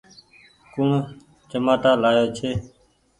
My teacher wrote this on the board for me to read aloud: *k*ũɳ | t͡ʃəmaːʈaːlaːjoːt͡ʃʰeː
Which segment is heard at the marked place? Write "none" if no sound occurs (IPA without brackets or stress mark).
k